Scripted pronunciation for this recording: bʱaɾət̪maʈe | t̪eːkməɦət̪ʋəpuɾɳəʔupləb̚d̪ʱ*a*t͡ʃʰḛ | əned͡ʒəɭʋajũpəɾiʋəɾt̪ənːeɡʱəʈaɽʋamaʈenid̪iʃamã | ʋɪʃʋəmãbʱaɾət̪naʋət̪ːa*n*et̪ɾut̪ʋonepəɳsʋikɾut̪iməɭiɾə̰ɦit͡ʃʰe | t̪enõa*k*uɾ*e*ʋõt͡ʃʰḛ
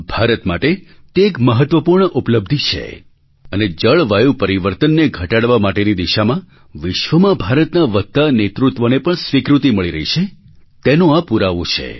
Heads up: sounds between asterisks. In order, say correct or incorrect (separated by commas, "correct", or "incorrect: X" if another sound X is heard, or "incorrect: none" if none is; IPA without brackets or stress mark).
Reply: incorrect: i, correct, incorrect: p, incorrect: a